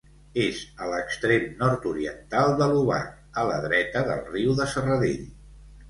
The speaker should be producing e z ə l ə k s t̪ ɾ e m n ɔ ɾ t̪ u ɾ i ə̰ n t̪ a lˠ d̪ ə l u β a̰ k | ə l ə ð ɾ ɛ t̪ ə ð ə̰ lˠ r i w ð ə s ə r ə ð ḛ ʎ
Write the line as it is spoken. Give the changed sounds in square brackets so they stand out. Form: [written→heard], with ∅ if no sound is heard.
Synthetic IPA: e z ə l ə k s t̪ ɾ e m n ɔ ɾ t̪ u ɾ i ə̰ n t̪ a lˠ d̪ ə l u β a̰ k | ə l ə ð ɾ ɛ t̪ ə ð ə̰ lˠ r i w ð ə s ə r ə ð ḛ ʎ